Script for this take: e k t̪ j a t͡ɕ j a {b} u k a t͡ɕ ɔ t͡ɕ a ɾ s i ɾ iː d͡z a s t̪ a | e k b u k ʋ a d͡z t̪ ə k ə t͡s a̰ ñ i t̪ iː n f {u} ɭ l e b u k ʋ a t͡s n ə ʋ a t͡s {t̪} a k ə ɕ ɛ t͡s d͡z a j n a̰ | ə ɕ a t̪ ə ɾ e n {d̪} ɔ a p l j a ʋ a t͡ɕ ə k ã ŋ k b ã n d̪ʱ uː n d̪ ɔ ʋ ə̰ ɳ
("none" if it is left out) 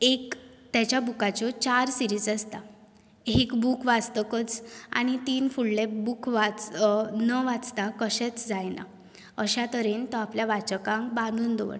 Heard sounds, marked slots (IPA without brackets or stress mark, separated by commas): b, u, t̪, t̪